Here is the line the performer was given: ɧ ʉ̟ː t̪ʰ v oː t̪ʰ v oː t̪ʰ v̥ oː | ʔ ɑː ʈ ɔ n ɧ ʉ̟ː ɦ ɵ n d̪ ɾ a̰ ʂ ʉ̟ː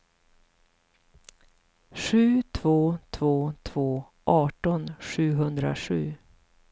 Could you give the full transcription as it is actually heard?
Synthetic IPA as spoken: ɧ ʉ̟ː t̪ʰ v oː t̪ʰ v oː t̪ʰ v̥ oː | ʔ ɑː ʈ ɔ n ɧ ʉ̟ː ɦ ɵ n d̪ ɾ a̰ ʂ ʉ̟ː